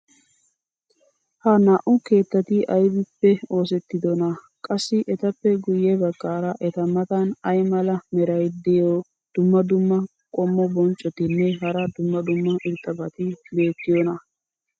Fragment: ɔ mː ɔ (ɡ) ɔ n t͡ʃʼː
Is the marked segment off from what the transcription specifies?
yes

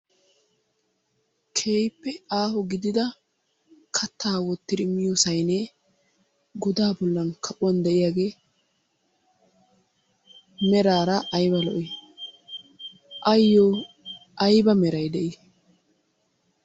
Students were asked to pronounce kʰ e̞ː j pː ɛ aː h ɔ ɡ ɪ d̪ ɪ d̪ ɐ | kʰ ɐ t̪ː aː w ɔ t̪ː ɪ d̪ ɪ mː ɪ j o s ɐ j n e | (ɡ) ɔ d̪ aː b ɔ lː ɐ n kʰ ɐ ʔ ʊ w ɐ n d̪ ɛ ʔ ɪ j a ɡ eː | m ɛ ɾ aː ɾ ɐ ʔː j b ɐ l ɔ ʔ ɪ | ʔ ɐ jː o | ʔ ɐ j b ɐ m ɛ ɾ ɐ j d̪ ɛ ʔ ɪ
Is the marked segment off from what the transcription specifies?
no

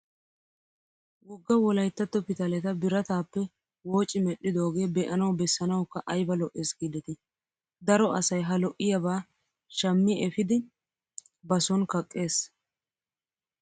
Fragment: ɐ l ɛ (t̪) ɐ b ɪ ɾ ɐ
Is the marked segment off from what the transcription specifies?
no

